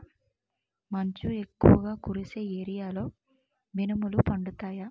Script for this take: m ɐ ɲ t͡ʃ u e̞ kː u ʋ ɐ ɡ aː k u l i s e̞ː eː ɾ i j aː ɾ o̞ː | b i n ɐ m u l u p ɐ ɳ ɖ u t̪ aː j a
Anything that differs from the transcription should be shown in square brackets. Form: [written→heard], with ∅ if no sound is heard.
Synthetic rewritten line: m ɐ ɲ t͡ʃ u e̞ kː u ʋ ɐ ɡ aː k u [l→ɾ] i s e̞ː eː ɾ i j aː [ɾ→l] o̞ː | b i n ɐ m u l u p ɐ ɳ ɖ u t̪ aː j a